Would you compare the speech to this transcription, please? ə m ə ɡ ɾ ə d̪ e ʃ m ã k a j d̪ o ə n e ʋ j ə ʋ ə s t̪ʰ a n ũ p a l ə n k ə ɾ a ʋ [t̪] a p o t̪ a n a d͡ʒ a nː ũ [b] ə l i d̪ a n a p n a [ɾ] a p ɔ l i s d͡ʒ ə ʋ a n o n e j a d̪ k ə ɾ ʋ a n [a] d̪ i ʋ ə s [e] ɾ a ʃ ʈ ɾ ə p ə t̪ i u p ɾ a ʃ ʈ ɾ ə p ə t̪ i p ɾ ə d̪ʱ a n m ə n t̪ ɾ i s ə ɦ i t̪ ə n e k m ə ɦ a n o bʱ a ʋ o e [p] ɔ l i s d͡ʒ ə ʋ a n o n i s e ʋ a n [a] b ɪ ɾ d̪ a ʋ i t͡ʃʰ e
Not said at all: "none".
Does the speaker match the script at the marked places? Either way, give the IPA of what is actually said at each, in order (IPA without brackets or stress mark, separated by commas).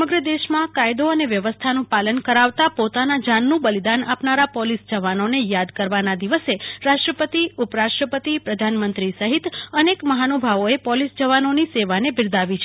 t̪, b, ɾ, a, e, p, e